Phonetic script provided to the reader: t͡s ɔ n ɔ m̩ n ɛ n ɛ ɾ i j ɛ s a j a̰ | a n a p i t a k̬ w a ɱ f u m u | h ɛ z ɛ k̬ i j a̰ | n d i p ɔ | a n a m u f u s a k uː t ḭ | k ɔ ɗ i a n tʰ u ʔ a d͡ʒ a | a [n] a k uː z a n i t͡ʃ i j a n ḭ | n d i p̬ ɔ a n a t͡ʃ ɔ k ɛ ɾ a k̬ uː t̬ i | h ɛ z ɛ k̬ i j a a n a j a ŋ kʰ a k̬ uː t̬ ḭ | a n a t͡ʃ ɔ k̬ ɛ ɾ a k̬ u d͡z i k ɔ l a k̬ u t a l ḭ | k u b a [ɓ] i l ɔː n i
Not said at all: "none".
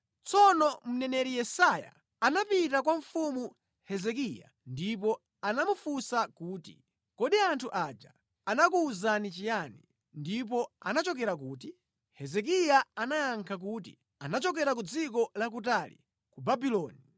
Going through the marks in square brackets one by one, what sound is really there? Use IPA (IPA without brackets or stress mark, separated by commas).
n, b